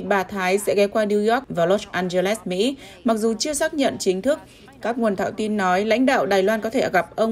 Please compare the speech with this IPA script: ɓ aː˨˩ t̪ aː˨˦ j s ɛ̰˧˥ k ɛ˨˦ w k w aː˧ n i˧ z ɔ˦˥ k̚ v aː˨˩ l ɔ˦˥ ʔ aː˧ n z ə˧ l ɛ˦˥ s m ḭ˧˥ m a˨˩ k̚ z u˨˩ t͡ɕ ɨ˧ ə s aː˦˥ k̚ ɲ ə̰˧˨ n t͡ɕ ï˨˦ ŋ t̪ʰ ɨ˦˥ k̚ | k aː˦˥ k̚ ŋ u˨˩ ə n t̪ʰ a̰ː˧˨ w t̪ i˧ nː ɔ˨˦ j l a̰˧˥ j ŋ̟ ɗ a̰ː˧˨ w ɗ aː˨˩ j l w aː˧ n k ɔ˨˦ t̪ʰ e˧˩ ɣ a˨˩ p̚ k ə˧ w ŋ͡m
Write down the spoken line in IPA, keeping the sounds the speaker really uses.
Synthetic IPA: ɓ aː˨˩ t̪ʰ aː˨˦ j s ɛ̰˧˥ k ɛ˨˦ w k w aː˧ n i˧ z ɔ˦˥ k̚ v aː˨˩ l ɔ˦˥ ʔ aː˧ n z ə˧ l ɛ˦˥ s m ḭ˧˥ m a˨˩ k̚ z u˨˩ t͡ɕ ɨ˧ ə s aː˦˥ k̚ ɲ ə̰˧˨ n t͡ɕ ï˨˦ ŋ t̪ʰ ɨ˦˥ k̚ | k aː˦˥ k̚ ŋ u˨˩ ə n t̪ʰ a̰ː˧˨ w t̪ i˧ nː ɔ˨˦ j l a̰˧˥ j ŋ̟ ɗ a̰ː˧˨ w ɗ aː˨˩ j l w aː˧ n k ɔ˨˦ t̪ʰ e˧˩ ɣ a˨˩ p̚ ʔ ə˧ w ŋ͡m

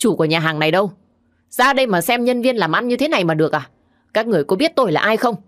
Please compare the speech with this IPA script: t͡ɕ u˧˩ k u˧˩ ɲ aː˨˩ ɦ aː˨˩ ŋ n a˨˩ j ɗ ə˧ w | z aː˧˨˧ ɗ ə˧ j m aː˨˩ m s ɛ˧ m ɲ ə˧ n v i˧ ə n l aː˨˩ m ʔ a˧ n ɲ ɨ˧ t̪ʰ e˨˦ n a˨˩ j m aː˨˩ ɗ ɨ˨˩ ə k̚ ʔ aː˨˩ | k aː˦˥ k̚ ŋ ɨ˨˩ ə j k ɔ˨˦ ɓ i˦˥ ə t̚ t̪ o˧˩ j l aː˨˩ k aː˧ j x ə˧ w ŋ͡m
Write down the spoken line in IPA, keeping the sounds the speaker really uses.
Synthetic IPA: t͡ɕ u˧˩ k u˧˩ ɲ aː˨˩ ɦ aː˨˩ ŋ n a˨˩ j ɗ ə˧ w | z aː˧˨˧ ɗ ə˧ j m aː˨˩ s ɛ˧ m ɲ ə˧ n v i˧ ə n l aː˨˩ m ʔ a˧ n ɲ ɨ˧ t̪ʰ e˨˦ n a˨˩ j m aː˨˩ ɗ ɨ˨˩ ə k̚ ʔ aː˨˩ | k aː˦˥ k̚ ŋ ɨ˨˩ ə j k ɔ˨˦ ɓ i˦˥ ə t̚ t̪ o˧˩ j l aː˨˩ ʔ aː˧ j x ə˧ w ŋ͡m

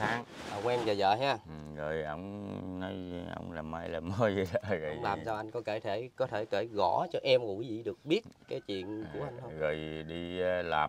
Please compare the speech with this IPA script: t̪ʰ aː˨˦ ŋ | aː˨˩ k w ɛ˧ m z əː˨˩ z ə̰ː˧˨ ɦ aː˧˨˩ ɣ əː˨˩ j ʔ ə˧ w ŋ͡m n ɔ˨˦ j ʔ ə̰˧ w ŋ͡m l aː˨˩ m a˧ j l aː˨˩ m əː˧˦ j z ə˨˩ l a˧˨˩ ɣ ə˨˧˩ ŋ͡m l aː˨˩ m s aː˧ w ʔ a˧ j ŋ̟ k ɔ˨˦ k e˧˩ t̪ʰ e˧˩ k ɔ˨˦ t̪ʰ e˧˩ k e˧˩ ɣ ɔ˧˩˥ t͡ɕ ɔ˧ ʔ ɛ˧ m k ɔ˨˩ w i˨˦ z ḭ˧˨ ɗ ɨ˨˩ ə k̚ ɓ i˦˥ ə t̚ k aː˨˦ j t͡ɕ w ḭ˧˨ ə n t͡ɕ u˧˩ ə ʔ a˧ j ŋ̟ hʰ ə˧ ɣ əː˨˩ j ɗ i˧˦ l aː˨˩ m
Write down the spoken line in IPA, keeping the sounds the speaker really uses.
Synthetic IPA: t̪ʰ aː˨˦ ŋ | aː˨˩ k w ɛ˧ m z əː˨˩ z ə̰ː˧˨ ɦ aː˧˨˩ ɣ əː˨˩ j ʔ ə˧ w ŋ͡m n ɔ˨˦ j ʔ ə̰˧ w ŋ͡m l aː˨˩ m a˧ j l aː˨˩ m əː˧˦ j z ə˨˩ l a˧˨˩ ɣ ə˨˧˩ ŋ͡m l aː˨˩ m s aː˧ w ʔ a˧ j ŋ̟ k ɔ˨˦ k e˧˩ t̪ʰ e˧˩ k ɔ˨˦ t̪ʰ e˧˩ k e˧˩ ɣ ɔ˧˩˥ t͡ɕ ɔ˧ ʔ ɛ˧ m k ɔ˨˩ w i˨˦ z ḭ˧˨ ɗ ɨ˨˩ ə k̚ ɓ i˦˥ ə t̚ k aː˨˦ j t͡ɕ w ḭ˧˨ ə n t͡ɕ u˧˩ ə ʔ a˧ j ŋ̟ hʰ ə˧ ɣ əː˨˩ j ɗ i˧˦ l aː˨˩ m

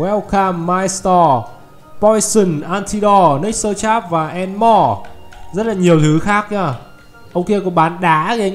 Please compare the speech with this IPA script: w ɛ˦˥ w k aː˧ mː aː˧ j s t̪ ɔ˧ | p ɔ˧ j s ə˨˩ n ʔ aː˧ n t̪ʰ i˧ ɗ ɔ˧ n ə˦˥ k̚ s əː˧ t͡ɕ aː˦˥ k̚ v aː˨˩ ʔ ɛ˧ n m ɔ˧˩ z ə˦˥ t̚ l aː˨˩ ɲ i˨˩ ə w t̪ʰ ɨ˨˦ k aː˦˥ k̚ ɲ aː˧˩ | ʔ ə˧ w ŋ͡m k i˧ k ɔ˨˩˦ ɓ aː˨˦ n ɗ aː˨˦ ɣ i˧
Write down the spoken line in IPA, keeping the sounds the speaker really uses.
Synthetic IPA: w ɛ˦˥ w k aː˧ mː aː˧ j s t̪ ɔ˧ | p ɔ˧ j s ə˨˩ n ʔ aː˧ n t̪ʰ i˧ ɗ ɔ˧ n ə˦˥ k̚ s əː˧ t͡ɕ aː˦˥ p̚ v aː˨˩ ʔ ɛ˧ n m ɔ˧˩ z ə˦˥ t̚ l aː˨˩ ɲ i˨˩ ə w t̪ʰ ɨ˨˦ x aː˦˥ k̚ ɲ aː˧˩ | ʔ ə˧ w ŋ͡m k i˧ k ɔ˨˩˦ ɓ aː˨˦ n ɗ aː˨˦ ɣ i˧

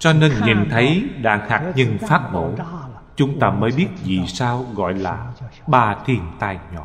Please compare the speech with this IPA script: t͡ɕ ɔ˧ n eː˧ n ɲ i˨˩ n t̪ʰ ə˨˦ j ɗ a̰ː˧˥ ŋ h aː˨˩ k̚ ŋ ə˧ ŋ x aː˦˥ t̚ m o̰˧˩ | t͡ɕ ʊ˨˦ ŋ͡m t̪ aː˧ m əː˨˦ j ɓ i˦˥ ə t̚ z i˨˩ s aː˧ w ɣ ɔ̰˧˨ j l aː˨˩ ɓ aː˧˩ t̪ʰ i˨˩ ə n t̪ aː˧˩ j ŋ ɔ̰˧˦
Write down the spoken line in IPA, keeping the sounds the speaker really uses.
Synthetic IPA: t͡ɕ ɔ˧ n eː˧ n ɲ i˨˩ n t̪ʰ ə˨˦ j ɗ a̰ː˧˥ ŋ h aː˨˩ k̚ ɲ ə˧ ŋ f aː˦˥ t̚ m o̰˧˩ | t͡ɕ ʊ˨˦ ŋ͡m t̪ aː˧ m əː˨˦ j ɓ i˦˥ ə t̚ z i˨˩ s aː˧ w ɣ ɔ̰˧˨ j l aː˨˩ ɓ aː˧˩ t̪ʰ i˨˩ ə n t̪ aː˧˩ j ɲ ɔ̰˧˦

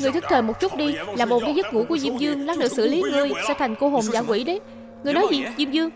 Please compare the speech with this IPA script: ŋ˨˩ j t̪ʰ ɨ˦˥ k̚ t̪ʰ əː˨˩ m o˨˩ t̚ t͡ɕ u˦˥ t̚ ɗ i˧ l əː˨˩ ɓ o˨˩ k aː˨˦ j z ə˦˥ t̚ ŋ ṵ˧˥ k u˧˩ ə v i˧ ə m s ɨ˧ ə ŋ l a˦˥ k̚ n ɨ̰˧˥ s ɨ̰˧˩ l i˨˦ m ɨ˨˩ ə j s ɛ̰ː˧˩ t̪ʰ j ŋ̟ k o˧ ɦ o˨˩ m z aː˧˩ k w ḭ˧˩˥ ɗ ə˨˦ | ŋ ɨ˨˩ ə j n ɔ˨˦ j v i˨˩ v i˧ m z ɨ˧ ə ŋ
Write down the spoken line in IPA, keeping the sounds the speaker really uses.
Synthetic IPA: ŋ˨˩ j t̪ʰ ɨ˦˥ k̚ t̪ʰ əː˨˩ m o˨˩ t̚ t͡ɕ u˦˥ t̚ ɗ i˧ l aː˨˩ ɓ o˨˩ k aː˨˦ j z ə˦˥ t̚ ŋ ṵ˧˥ k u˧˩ ə z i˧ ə m z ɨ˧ ə ŋ l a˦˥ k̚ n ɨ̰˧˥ s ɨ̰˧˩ l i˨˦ ŋ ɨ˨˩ ə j s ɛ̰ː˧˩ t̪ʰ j ŋ̟ k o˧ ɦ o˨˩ m z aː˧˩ k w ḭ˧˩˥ ɗ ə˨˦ | ŋ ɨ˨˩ ə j n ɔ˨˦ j z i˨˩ z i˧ m z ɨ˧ ə ŋ

